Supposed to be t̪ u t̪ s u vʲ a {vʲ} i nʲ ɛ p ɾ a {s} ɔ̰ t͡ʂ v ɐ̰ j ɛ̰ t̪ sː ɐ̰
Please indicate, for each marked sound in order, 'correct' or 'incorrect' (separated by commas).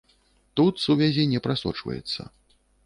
incorrect, correct